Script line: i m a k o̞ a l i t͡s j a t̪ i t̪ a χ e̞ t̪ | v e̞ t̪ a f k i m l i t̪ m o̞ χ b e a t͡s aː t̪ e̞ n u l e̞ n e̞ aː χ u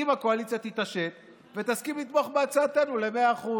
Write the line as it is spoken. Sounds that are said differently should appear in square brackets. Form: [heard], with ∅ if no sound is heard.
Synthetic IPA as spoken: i m a k o̞ a l i t͡s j a t̪ i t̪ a [ʃ] e̞ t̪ | v e̞ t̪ a [s] k i m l i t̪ m o̞ χ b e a t͡s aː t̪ e̞ n u l e̞ [m] e̞ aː χ u